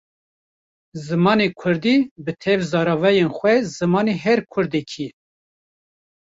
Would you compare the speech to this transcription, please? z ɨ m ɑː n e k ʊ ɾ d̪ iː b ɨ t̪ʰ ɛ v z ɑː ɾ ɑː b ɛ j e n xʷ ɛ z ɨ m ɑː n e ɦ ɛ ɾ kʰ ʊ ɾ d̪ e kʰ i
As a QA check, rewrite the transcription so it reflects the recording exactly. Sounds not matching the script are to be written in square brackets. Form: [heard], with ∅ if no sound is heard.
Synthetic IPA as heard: z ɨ m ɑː n e [kʰ] ʊ ɾ d̪ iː b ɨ t̪ʰ ɛ v z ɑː ɾ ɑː [v] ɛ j e n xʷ ɛ z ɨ m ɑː n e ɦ ɛ ɾ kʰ ʊ ɾ d̪ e kʰ i